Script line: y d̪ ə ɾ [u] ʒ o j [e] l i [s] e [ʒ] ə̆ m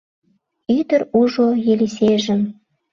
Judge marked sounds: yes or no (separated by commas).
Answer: yes, yes, yes, yes